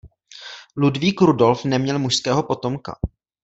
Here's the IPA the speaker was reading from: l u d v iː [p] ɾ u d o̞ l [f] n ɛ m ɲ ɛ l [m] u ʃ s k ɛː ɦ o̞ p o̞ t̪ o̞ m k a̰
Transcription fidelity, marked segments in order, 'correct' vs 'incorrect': incorrect: k, correct, correct

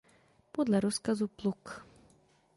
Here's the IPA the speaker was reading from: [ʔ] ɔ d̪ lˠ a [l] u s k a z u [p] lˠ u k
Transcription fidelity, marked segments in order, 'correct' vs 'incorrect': incorrect: p, incorrect: ɾ, correct

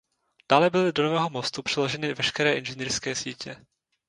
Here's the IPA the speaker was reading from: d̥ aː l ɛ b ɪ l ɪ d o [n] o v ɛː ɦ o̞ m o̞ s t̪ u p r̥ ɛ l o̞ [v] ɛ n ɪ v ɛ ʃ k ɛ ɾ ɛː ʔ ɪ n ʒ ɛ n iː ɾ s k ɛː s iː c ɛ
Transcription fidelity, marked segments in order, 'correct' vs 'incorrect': correct, incorrect: ʒ

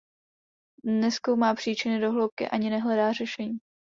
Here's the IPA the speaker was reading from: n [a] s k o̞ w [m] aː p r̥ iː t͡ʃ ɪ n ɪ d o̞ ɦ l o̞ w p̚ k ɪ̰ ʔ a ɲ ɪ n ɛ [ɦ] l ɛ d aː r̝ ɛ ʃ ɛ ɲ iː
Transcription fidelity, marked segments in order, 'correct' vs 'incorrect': incorrect: ɛ, correct, correct

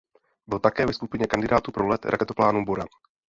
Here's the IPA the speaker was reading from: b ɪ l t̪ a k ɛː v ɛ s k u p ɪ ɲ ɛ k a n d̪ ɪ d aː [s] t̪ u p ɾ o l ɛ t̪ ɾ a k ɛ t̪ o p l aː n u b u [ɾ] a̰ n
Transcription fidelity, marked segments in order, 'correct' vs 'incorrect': incorrect: none, correct

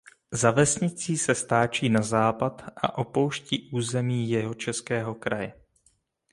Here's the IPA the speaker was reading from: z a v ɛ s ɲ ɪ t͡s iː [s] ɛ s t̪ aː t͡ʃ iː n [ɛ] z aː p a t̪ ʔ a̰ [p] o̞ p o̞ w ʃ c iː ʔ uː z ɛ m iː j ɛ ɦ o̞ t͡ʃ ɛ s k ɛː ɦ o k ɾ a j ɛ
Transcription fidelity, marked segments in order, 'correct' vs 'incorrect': correct, incorrect: a, incorrect: ʔ

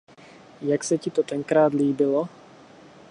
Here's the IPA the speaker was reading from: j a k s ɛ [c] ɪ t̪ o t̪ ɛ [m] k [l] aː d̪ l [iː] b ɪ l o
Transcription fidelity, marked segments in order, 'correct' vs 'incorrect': correct, incorrect: ŋ, incorrect: ɾ, correct

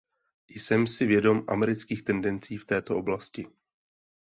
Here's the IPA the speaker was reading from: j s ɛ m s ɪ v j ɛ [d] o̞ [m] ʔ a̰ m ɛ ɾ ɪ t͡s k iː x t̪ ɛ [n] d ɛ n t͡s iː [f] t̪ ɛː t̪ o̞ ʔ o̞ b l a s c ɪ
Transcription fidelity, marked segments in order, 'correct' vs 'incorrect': correct, correct, correct, correct

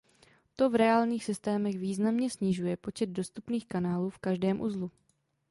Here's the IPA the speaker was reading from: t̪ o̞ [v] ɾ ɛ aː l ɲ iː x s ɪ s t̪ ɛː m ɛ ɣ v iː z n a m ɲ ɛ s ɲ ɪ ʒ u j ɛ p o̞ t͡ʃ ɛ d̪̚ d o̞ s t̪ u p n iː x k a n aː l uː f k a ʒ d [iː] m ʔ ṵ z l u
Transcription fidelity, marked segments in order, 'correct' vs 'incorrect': correct, incorrect: ɛː

